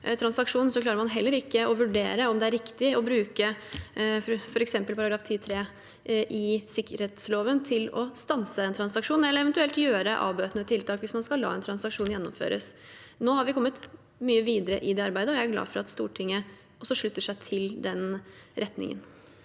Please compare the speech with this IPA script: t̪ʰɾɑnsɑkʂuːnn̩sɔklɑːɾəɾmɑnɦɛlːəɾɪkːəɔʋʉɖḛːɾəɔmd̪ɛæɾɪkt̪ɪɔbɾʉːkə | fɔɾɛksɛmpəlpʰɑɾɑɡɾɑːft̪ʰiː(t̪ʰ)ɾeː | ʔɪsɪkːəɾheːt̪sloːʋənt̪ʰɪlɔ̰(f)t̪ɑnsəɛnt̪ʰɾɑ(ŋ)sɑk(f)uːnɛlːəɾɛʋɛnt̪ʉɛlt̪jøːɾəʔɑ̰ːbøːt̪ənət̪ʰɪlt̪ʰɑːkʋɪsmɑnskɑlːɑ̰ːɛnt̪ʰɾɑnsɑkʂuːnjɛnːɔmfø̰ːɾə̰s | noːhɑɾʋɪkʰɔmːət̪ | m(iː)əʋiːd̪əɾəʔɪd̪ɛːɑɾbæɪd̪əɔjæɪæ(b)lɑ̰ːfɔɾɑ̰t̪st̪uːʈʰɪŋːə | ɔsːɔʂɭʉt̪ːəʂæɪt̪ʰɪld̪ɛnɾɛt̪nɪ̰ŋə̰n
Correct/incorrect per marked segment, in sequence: correct, incorrect, incorrect, incorrect, incorrect, incorrect

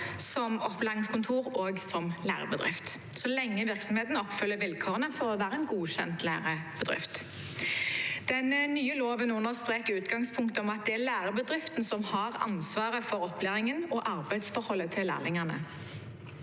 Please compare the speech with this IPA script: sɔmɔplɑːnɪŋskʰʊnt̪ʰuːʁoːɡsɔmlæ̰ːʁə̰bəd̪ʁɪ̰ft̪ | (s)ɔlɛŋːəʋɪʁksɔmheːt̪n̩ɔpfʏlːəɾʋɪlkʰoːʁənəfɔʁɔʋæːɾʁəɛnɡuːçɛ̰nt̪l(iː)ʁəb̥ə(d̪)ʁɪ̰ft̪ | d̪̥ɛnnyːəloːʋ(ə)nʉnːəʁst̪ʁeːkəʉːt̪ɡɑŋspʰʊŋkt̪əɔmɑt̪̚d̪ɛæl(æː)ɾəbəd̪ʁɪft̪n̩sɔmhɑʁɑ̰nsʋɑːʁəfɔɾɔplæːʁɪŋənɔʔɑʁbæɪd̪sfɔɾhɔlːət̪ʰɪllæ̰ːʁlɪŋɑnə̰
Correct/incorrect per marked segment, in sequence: correct, incorrect, correct, correct, correct

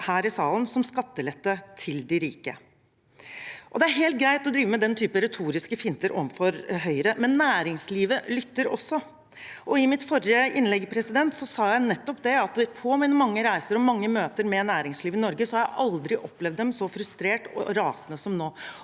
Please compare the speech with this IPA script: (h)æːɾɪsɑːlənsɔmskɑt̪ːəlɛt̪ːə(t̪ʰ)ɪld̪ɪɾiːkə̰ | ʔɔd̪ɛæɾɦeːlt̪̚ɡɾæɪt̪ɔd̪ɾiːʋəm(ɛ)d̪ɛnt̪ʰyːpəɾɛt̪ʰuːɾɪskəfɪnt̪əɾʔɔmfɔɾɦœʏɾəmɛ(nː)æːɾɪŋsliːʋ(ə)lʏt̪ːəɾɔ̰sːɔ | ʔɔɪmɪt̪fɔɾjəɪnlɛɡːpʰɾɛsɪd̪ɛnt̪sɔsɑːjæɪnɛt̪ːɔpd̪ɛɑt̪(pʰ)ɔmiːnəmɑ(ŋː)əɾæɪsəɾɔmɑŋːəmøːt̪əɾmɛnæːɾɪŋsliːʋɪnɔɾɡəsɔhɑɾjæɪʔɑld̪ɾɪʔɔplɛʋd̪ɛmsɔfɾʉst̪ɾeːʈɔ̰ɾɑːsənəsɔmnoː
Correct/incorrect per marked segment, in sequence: correct, correct, correct, correct, correct, correct, correct

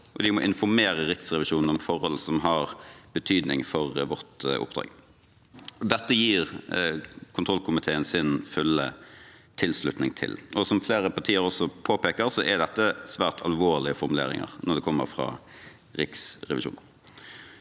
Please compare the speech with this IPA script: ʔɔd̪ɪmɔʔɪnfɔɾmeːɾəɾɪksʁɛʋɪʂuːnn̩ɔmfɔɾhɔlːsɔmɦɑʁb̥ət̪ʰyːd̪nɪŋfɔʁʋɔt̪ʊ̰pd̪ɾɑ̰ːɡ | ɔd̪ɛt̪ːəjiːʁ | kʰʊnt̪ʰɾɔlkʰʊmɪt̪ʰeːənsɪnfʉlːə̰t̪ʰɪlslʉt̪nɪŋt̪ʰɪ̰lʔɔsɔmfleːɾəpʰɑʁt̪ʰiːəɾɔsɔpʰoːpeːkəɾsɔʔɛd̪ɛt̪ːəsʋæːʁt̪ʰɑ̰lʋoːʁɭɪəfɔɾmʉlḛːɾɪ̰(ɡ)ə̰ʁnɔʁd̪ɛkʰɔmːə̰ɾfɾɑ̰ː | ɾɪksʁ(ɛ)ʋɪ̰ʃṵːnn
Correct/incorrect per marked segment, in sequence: incorrect, correct

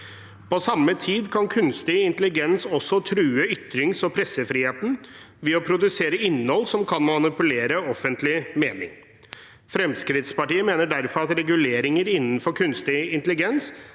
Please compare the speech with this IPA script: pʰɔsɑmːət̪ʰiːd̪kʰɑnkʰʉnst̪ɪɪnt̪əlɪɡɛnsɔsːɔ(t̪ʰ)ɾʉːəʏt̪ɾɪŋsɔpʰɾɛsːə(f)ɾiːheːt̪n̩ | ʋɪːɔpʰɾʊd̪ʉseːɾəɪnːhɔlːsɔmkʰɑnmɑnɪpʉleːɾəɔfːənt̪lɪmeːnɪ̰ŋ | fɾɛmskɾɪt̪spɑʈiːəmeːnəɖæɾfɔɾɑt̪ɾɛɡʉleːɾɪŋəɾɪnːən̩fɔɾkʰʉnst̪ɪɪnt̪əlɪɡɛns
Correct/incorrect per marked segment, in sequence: correct, correct

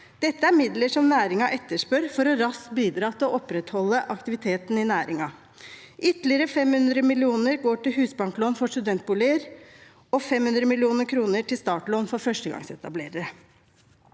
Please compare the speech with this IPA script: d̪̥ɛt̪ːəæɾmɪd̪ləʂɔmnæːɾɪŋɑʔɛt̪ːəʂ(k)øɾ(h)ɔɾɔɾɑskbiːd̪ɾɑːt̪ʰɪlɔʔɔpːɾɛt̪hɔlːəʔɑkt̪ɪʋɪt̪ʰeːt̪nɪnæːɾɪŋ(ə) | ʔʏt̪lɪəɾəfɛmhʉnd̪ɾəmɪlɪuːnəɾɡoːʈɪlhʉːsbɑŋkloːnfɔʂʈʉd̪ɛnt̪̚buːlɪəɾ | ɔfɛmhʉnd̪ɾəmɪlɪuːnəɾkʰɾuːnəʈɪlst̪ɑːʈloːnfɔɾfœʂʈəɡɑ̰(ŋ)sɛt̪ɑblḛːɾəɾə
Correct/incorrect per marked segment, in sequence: incorrect, incorrect, incorrect, correct

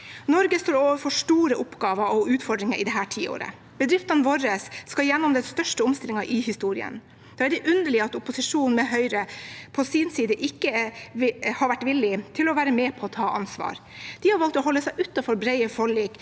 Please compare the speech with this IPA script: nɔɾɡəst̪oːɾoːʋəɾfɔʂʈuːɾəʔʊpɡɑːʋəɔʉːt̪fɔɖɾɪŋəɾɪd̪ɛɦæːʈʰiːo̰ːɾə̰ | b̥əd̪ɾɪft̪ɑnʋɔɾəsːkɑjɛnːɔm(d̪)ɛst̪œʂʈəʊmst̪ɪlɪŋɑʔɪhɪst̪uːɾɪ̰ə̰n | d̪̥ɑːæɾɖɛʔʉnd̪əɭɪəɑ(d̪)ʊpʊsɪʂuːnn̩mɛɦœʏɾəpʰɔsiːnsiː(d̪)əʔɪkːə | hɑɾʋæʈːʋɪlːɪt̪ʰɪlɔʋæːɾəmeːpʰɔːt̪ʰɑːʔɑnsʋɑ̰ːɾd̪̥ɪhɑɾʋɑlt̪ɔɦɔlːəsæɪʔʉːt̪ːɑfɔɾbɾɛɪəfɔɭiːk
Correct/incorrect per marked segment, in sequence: correct, incorrect, correct

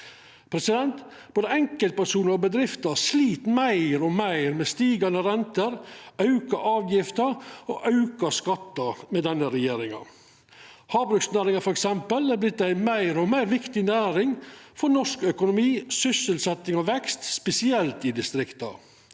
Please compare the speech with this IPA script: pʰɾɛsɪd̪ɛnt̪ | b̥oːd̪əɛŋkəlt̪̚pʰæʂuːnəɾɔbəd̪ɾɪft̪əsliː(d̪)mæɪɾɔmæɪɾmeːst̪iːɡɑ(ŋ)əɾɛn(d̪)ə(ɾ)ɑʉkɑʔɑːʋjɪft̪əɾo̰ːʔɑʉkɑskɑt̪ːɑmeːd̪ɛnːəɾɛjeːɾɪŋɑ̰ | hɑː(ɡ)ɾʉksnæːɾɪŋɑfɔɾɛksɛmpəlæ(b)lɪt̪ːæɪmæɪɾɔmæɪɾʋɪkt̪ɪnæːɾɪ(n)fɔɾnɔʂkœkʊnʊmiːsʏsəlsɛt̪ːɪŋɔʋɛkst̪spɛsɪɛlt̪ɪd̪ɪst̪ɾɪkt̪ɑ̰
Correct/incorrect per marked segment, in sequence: incorrect, incorrect, incorrect, correct, incorrect, correct, incorrect

